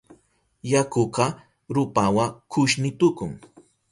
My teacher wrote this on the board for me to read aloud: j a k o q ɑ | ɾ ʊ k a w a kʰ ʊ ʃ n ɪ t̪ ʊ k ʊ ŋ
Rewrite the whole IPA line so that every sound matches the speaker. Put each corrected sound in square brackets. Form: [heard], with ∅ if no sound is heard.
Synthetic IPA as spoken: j a k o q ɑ | ɾ ʊ [p] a w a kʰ ʊ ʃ n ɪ t̪ ʊ k ʊ ŋ